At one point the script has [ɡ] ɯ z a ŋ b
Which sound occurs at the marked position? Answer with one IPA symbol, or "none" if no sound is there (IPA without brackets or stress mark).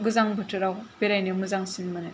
ɡ